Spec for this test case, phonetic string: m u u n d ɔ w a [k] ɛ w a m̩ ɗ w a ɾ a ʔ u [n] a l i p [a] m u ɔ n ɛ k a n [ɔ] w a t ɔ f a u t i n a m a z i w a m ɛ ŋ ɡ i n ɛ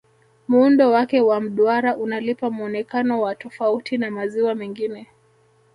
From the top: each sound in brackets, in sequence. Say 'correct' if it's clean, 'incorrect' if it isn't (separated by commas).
correct, correct, correct, correct